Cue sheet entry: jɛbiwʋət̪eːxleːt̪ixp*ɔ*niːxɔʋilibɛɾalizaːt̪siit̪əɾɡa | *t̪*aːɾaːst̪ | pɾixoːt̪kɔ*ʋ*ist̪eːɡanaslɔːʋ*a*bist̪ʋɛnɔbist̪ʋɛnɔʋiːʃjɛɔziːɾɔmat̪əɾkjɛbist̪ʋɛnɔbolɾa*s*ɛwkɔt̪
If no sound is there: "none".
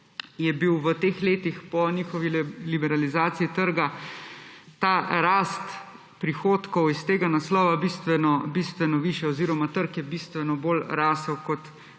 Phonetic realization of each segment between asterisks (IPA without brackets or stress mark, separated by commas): ɔ, t̪, w, a, s